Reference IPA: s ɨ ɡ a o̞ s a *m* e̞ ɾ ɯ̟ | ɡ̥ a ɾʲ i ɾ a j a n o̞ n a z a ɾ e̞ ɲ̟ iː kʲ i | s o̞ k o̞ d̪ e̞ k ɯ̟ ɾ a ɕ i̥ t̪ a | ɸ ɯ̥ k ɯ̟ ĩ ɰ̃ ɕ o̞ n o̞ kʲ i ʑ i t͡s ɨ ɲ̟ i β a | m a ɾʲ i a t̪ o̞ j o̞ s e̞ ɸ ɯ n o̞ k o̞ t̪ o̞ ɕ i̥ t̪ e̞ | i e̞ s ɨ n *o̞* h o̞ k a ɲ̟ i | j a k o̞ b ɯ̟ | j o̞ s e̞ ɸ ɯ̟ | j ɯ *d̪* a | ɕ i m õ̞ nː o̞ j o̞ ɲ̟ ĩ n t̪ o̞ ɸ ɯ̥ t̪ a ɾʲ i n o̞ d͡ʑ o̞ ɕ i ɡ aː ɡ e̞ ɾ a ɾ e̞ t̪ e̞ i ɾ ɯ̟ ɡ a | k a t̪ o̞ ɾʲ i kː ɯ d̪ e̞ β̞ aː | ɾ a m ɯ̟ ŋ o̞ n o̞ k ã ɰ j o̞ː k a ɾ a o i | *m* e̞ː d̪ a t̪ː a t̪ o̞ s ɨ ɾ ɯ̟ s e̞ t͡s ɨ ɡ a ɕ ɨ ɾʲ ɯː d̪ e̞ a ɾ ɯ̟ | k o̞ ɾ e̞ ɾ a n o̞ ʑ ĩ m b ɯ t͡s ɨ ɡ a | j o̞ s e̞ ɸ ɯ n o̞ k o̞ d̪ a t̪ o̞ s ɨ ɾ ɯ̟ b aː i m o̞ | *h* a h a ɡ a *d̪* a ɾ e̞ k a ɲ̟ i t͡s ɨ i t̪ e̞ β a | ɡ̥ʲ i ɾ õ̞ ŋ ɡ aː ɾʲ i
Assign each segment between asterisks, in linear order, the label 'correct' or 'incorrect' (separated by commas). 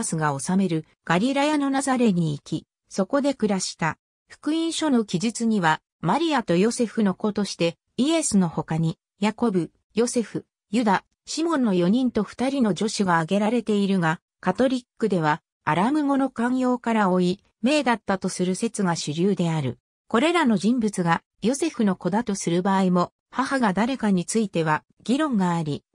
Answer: correct, correct, correct, correct, correct, correct